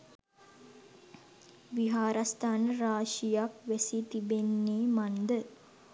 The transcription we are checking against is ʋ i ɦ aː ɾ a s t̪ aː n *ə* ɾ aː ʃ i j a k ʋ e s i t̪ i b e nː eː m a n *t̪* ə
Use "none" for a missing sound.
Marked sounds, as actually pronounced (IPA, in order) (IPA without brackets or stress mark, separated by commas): ə, d̪